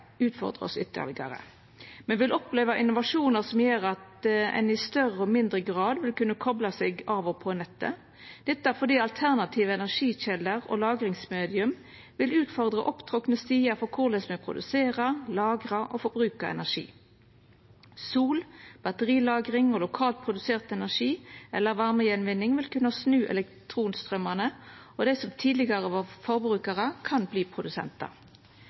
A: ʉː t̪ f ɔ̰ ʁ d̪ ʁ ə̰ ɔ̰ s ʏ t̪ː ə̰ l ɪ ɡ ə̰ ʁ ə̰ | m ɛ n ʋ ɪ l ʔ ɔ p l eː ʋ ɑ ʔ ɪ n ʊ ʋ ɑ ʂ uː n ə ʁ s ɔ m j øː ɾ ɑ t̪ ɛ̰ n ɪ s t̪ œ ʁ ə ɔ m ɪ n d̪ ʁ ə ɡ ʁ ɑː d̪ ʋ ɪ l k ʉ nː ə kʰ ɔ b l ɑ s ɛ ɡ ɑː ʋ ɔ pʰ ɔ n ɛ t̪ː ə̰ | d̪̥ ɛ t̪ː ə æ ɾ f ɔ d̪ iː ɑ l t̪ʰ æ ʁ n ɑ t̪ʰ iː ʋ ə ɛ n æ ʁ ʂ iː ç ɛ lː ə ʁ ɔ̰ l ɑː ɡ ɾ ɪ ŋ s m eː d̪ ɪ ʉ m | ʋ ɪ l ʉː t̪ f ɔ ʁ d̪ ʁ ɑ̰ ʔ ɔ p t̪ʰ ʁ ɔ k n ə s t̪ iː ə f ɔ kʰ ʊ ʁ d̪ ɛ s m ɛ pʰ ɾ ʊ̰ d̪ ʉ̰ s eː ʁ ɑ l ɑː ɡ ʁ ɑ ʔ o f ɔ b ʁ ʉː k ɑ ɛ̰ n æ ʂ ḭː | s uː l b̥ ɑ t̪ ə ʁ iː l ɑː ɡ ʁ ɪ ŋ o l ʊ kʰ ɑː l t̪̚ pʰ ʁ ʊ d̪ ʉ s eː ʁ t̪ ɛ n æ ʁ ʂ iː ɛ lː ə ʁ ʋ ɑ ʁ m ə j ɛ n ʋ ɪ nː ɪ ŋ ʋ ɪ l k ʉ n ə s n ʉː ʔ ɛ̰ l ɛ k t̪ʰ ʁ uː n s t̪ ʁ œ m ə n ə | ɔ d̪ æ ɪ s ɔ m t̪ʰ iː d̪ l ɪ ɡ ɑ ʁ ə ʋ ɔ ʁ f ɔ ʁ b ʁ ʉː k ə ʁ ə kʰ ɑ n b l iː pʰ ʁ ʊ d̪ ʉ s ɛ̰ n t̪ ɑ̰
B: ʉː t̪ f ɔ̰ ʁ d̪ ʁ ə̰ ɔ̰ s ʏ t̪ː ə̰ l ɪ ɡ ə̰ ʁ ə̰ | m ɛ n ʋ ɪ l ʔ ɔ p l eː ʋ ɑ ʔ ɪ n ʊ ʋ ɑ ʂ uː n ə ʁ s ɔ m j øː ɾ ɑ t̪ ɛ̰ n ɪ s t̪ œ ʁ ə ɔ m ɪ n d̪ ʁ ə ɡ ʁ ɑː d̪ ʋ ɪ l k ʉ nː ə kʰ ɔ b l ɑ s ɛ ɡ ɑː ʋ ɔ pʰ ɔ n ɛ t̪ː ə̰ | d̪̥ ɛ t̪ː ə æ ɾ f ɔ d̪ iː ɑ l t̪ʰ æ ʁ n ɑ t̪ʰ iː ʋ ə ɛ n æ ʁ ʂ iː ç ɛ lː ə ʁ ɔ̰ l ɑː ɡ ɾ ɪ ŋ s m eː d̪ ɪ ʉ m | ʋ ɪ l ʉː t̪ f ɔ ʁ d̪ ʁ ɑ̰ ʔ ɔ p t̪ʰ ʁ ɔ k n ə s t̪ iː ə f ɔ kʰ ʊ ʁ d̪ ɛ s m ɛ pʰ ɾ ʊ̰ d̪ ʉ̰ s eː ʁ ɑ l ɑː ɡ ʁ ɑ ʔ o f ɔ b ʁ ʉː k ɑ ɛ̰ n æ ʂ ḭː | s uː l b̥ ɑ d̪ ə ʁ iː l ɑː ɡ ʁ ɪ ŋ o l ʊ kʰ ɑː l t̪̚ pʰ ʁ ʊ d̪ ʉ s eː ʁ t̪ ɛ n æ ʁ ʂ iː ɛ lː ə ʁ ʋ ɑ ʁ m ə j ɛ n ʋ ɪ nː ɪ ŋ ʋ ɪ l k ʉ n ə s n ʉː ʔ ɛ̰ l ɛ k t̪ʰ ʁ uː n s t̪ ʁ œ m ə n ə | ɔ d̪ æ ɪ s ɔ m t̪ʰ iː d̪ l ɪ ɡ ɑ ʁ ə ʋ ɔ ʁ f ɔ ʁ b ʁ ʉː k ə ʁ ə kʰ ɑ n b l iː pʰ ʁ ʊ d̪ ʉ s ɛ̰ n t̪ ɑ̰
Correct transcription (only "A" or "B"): A